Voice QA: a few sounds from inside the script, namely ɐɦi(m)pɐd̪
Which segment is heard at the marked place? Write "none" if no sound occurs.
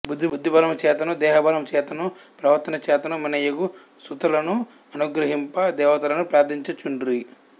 m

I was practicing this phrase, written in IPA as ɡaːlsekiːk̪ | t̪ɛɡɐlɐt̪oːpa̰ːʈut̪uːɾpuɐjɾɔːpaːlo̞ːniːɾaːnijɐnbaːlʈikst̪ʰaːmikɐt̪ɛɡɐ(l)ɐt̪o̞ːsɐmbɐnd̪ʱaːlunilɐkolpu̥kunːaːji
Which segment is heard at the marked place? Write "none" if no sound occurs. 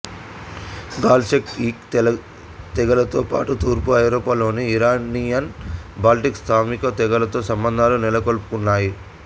l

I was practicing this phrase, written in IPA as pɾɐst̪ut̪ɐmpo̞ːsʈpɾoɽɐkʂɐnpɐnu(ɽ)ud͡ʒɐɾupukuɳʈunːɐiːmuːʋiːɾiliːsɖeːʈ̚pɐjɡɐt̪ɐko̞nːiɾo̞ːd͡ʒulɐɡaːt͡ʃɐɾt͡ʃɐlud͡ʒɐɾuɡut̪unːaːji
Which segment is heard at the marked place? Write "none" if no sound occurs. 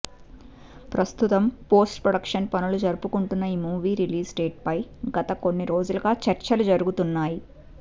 l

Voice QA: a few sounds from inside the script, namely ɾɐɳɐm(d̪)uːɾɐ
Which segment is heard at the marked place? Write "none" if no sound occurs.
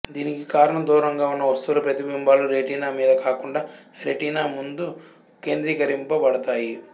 d̪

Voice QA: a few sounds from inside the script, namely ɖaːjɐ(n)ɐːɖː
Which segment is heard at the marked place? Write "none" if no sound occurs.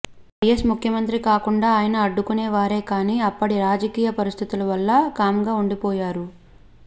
n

